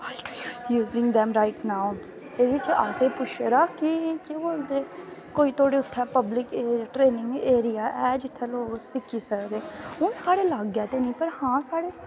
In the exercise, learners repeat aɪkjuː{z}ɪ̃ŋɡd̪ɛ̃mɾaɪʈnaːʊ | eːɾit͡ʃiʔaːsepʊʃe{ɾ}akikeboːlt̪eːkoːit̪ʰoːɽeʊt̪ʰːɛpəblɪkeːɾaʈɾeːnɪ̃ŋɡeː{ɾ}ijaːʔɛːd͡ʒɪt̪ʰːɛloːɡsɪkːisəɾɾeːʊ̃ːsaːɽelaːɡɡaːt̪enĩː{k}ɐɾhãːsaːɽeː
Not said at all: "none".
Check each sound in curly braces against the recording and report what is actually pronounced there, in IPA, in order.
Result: z, ɾ, ɾ, p

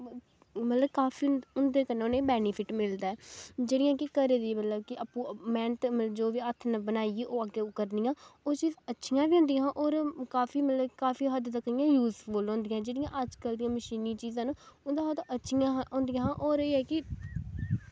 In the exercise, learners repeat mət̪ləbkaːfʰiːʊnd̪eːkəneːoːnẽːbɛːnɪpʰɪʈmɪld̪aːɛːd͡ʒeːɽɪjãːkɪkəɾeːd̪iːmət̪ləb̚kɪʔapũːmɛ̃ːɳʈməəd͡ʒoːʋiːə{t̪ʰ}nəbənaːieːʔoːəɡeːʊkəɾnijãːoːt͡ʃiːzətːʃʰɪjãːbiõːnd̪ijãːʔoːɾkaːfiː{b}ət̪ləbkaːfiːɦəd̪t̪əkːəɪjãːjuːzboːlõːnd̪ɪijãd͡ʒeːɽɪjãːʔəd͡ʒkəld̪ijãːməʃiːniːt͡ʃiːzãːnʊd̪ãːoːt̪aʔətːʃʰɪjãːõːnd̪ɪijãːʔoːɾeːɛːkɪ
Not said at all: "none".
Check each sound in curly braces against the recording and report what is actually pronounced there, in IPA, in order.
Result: t̪ʰ, m

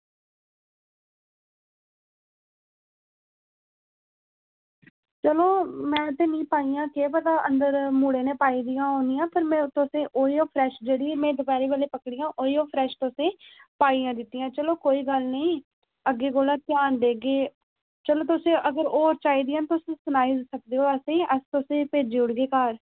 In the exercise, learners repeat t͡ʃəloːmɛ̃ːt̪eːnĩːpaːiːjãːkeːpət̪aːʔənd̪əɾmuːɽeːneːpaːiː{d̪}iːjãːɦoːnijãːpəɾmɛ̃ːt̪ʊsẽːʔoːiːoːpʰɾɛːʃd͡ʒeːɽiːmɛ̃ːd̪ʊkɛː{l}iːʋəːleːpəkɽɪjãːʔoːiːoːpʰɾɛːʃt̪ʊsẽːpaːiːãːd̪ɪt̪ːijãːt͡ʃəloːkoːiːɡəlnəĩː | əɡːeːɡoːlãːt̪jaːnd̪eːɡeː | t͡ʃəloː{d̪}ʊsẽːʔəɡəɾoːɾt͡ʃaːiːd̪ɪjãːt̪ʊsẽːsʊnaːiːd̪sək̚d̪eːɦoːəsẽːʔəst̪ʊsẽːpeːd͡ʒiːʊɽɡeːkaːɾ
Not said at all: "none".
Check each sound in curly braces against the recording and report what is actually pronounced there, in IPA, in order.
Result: d̪, ɾ, t̪

